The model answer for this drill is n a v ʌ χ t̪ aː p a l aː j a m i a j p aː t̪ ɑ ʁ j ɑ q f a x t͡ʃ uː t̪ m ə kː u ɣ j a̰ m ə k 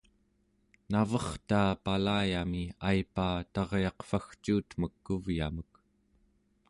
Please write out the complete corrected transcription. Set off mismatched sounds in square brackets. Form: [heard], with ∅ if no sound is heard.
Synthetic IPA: n a v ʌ χ t̪ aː p a l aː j a m i a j p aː t̪ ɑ ʁ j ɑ q f a x t͡ʃ uː t̪ m ə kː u [v] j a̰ m ə k

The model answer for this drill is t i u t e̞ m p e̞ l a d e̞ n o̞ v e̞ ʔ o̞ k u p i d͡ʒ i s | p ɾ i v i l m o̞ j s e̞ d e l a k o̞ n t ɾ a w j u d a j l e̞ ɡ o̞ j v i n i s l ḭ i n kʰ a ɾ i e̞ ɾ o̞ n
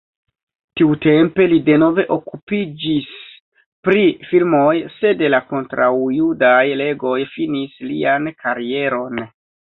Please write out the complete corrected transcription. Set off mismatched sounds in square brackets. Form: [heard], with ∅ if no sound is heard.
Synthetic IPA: t i u t e̞ m p e̞ l [i] d e̞ n o̞ v e̞ ʔ o̞ k u p i d͡ʒ i s | p ɾ i [f] i l m o̞ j s e̞ d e l a k o̞ n t ɾ a w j u d a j l e̞ ɡ o̞ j [f] i n i s l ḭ [a] n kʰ a ɾ i e̞ ɾ o̞ n

